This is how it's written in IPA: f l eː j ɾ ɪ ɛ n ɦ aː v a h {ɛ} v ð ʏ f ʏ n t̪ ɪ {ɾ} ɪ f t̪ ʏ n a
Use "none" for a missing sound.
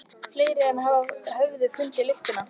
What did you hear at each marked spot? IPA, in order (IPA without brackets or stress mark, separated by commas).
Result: œ, l